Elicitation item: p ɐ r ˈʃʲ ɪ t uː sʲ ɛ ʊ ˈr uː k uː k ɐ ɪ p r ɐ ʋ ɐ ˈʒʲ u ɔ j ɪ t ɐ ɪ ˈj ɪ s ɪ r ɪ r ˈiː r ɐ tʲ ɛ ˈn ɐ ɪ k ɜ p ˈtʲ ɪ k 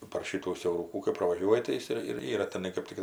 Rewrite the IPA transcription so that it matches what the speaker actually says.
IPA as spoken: p ɐ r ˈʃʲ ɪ t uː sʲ ɛ ʊ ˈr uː k uː k ɐ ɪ p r ɐ ʋ ɐ ˈʒʲ u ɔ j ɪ t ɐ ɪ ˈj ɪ s ɪ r ɪ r ˈiː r ɐ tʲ ɛ ˈn ɐ ɪ k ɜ p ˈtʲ ɪ k